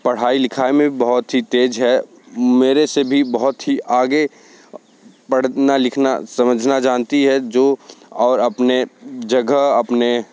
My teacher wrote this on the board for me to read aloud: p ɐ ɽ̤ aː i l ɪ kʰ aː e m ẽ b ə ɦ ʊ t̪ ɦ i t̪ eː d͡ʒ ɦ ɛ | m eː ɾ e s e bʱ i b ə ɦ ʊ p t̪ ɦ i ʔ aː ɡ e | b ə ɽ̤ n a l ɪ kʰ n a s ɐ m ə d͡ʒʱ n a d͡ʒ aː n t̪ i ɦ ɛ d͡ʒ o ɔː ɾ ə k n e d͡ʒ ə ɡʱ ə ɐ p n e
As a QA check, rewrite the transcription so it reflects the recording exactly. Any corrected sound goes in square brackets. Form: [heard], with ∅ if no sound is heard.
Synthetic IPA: p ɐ ɽ̤ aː i l ɪ kʰ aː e m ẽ b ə ɦ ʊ t̪ ɦ i t̪ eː d͡ʒ ɦ ɛ | m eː ɾ e s e bʱ i b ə ɦ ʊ [∅] t̪ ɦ i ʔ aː ɡ e | [p] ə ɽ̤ n a l ɪ kʰ n a s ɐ m ə d͡ʒʱ n a d͡ʒ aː n t̪ i ɦ ɛ d͡ʒ o ɔː ɾ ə [p] n e d͡ʒ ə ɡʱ ə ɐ p n e